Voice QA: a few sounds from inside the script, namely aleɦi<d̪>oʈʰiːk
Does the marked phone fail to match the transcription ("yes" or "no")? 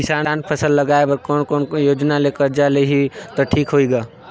yes